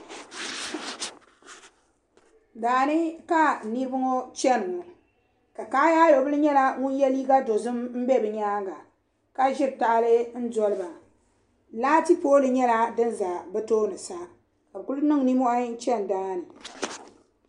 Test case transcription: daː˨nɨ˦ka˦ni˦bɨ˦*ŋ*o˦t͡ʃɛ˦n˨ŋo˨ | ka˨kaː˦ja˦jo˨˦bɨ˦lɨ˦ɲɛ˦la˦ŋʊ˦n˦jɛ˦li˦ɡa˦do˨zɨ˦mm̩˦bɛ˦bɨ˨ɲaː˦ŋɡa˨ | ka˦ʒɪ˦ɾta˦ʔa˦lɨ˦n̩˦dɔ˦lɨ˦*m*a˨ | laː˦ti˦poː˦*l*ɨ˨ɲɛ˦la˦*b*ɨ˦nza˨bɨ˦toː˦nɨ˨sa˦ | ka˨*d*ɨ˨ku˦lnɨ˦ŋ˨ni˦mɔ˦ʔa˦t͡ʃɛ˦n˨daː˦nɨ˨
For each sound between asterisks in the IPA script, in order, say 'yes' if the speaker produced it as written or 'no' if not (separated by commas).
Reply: yes, no, yes, no, no